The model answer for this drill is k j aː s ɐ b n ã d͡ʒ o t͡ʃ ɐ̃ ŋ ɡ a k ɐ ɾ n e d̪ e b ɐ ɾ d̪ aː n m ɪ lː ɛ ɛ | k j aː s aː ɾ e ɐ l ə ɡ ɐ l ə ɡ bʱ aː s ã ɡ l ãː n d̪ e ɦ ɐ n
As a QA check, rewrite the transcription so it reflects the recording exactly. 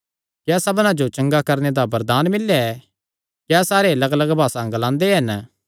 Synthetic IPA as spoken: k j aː s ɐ b n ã d͡ʒ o t͡ʃ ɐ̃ ŋ ɡ a k ɐ ɾ n e d̪ a b ɐ ɾ d̪ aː n m ɪ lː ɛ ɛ | k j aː s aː ɾ e ɐ l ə ɡ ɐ l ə ɡ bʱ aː s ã ɡ l ãː n d̪ e ɦ ɐ n